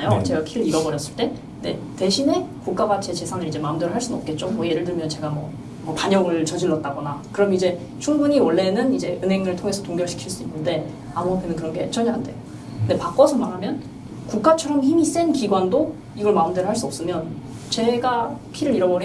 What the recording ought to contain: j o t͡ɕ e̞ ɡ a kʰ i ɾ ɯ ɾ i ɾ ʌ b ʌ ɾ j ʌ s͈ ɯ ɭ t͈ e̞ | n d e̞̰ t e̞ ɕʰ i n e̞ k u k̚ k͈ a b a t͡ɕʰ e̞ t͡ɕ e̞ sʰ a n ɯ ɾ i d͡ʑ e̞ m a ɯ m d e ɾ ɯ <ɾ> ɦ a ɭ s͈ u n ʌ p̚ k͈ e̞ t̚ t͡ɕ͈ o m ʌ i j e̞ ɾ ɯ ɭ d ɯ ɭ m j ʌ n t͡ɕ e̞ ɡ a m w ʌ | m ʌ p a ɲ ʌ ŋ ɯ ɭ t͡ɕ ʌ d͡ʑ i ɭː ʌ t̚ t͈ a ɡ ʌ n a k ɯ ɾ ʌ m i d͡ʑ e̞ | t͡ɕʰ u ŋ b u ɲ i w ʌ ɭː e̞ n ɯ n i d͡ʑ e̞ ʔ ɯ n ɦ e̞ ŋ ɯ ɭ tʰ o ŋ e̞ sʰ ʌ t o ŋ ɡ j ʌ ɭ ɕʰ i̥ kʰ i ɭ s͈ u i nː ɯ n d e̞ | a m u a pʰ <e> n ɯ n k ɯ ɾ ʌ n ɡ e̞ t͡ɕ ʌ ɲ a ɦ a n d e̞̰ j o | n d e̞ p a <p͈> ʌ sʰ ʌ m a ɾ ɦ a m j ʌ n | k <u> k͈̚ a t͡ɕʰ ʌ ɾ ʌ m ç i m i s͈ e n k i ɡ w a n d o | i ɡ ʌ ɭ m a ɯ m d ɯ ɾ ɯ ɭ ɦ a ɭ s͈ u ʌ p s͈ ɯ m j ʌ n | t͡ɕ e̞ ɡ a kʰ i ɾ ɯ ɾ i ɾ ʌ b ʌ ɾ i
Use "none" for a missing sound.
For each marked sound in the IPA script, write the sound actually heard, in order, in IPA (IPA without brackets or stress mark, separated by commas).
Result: ɭ, e, k͈, u